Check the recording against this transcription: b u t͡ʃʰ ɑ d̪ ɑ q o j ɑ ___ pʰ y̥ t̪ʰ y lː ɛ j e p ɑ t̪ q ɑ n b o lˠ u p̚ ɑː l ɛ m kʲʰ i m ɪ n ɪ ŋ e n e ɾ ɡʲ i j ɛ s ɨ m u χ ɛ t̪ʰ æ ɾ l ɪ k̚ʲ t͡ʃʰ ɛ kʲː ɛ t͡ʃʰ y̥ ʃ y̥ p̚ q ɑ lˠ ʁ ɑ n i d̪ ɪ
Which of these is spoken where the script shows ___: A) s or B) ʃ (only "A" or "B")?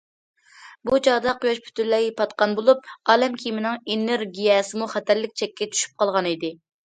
B